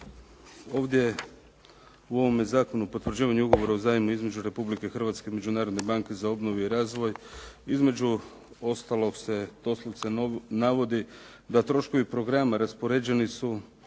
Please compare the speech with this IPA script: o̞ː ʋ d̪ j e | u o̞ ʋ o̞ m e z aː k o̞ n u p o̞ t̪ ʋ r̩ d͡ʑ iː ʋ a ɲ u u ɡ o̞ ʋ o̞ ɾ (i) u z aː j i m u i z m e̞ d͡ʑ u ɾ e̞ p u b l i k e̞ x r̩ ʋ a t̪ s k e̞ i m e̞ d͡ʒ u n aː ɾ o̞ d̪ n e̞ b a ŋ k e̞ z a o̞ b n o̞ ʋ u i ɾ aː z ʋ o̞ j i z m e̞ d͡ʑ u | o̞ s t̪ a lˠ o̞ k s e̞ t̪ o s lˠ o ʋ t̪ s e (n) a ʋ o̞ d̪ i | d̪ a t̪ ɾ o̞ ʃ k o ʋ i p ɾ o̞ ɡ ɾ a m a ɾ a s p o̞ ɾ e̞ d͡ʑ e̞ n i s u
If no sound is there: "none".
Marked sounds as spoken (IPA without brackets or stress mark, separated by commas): a, n